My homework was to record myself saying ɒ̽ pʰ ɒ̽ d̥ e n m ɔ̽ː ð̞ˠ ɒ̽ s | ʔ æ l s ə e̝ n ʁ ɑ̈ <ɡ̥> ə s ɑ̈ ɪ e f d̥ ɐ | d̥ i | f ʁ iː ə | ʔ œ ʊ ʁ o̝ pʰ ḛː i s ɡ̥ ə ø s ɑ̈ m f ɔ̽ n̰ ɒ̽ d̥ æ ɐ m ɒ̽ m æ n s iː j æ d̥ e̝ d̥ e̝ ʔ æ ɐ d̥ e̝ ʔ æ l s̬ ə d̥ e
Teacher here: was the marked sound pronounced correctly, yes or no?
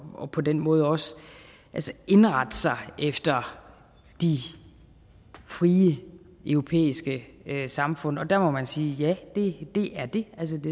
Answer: no